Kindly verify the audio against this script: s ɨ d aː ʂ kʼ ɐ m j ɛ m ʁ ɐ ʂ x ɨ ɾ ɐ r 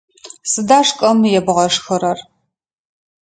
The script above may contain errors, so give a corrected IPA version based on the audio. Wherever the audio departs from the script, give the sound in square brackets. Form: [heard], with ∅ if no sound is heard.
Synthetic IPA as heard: s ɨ d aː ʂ kʼ ɐ m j ɛ [b] ʁ ɐ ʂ x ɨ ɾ ɐ r